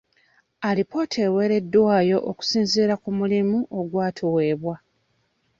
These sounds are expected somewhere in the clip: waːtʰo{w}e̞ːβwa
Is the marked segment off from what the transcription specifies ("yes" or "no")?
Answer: no